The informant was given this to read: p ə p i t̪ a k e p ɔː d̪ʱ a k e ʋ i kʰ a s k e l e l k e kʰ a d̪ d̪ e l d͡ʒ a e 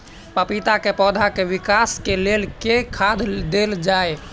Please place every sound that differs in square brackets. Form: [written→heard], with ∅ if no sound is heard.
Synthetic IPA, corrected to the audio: p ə p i t̪ a k e p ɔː d̪ʱ a k e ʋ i [kʰ→k] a s k e l e l k e kʰ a d̪ d̪ e l d͡ʒ a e